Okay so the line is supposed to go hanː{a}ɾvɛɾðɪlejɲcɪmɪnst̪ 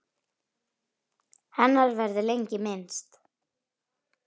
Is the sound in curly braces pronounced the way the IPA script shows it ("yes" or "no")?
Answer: yes